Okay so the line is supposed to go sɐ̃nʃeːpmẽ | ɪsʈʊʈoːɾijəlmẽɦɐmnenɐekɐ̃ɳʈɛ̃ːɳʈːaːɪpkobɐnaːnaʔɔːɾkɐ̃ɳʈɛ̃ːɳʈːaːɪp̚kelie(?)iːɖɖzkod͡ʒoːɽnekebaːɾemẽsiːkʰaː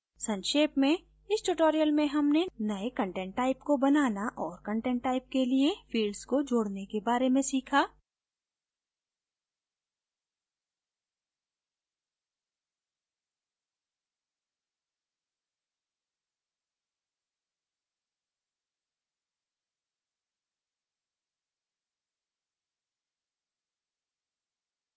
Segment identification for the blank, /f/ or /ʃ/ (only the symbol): f